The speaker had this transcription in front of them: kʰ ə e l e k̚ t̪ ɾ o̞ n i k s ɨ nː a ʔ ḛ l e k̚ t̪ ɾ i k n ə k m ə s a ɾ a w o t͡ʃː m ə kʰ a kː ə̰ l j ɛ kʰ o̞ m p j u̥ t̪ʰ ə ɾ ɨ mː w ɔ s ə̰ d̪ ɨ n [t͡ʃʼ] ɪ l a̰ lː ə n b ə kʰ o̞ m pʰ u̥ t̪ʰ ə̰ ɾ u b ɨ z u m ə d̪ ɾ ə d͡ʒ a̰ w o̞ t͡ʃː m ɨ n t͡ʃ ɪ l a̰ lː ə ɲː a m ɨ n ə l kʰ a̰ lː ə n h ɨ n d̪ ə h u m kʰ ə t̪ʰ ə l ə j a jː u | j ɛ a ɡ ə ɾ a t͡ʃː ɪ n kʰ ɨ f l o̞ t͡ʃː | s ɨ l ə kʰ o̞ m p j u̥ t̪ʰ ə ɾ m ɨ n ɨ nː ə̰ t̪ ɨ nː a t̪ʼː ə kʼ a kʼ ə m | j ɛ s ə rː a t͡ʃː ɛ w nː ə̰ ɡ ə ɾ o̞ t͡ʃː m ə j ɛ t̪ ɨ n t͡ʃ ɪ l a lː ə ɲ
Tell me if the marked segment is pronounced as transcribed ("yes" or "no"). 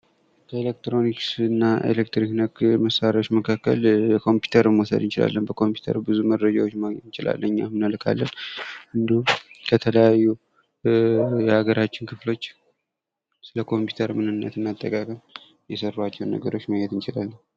no